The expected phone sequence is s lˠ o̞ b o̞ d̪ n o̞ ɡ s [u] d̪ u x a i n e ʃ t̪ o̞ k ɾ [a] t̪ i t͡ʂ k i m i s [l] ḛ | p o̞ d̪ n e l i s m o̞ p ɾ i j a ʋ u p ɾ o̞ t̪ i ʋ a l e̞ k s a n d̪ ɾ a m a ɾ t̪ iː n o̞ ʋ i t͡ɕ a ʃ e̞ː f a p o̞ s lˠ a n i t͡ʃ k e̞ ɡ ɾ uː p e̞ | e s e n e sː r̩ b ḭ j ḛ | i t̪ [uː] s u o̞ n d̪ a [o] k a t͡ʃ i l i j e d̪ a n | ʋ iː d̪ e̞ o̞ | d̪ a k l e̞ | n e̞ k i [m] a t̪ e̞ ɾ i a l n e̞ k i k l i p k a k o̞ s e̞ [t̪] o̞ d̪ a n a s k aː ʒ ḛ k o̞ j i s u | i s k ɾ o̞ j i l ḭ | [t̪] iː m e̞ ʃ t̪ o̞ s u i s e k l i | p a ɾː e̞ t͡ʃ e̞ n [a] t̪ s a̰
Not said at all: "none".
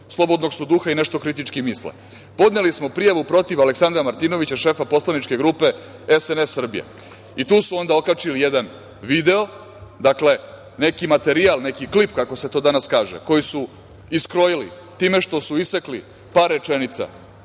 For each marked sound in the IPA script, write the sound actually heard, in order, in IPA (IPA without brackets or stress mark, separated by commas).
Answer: u, i, l, uː, o, m, t̪, t̪, i